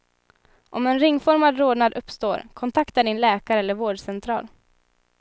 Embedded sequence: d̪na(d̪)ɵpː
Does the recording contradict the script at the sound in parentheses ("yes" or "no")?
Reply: no